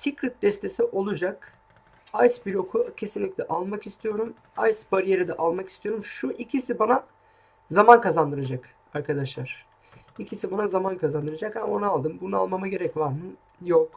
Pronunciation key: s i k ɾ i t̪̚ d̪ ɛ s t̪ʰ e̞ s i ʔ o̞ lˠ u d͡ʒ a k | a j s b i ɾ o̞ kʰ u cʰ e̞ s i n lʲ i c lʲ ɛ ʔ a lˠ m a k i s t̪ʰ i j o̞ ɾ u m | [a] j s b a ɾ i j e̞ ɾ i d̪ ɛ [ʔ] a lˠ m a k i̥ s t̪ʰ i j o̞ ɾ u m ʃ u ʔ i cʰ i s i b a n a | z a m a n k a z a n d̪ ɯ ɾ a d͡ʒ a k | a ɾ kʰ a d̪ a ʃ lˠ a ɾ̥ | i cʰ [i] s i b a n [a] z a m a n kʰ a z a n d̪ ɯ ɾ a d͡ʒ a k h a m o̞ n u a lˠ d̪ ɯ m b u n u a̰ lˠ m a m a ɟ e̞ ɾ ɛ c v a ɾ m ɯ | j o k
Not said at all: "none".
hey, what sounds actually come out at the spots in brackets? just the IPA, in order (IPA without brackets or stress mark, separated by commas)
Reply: a, ʔ, i, a